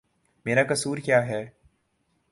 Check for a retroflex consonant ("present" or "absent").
absent